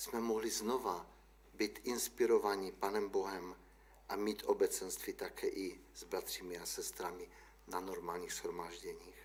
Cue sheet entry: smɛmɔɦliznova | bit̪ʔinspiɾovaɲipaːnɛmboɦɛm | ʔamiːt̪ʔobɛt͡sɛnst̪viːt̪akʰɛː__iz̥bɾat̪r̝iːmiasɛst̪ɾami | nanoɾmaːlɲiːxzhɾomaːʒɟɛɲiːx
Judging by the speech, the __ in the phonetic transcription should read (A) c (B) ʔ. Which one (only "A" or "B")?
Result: B